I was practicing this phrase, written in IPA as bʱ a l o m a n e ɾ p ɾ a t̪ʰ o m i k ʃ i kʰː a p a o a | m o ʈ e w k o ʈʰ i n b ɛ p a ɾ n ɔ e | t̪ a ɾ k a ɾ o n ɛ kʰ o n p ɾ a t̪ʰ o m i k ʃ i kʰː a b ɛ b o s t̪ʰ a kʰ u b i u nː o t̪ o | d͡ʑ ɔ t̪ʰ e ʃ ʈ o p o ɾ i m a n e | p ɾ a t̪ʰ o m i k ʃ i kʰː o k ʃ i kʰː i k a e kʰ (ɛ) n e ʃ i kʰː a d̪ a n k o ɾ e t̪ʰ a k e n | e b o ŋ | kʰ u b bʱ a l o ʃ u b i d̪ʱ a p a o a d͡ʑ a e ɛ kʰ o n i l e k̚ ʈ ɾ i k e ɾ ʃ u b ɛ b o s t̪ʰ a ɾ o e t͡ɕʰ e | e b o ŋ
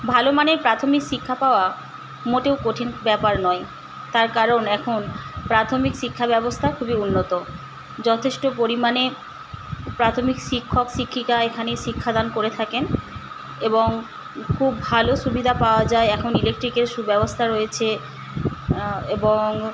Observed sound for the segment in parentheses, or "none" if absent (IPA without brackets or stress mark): a